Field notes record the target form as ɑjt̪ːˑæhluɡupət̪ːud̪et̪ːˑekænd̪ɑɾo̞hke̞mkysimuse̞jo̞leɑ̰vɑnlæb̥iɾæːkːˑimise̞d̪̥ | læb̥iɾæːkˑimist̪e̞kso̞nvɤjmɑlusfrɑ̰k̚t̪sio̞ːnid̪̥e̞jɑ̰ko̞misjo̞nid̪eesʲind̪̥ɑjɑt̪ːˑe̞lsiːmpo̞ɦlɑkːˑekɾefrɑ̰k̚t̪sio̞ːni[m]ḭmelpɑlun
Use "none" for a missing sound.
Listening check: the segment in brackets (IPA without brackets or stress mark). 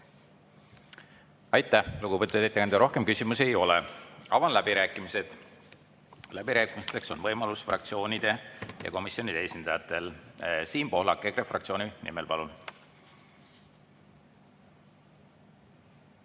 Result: n